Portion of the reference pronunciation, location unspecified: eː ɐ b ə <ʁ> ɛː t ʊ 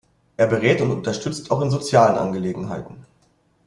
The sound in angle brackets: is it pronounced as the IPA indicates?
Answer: yes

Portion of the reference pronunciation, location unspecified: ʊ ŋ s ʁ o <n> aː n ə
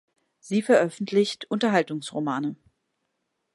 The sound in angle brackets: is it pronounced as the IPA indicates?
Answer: no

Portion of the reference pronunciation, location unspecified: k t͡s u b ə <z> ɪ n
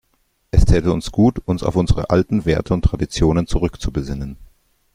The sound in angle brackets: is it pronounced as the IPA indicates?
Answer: yes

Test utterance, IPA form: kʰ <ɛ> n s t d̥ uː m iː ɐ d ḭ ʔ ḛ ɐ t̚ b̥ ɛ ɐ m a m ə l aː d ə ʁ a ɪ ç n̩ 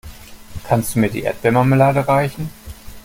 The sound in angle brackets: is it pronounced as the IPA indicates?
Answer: no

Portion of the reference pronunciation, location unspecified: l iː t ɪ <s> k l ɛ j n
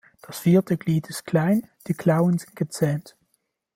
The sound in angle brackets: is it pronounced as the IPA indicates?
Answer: yes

